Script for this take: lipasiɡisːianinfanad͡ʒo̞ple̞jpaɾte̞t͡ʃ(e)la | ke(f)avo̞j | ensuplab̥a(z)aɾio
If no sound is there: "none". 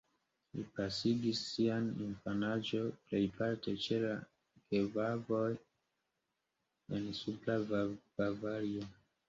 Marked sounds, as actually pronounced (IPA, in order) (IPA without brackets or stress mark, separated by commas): e, v, v